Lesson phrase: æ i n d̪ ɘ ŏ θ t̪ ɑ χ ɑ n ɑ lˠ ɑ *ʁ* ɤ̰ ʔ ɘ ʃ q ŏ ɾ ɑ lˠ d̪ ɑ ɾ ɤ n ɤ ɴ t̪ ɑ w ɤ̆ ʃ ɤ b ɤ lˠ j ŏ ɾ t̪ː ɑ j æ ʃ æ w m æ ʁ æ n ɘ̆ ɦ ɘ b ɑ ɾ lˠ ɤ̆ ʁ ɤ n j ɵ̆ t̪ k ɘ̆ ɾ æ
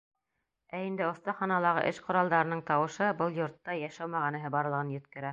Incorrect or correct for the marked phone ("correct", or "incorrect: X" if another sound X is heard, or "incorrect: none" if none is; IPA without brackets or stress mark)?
correct